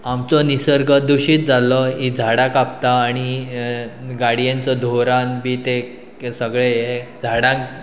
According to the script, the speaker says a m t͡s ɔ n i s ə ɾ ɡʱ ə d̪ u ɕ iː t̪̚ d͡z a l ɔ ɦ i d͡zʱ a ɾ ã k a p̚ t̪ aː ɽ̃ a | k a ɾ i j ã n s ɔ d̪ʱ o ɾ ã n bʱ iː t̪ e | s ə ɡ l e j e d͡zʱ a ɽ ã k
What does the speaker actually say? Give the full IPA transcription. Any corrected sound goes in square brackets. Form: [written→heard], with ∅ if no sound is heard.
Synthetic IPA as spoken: a m t͡s ɔ n i s ə ɾ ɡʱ ə d̪ u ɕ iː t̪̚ d͡z a l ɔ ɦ i d͡zʱ a [ɾ→ɽ] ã k a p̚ t̪ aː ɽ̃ [a→i] | [k→ɡ] a [ɾ→ɽ] i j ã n [s→t͡s] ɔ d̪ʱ o ɾ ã n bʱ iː t̪ e | s ə ɡ [l→ɭ] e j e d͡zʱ a ɽ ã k